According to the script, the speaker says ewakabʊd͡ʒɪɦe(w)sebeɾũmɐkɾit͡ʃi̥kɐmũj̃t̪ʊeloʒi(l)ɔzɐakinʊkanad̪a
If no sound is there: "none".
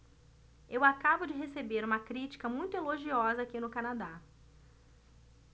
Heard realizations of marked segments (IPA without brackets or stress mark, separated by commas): none, none